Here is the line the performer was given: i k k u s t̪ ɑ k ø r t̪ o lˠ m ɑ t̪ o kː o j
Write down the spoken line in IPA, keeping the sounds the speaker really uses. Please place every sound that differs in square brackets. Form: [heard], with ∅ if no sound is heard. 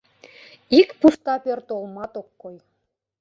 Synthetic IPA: i k [p] u s t̪ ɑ [p] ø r t̪ o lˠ m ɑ t̪ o kː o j